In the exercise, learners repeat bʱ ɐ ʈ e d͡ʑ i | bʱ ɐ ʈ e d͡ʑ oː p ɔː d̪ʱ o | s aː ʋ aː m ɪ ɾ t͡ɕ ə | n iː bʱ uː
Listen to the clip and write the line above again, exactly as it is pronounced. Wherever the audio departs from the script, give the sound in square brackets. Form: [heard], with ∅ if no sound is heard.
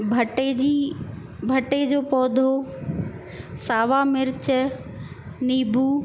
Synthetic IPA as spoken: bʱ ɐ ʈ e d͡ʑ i | bʱ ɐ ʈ e d͡ʑ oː p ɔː d̪ʱ o | s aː ʋ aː m ɪ ɾ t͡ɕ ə | n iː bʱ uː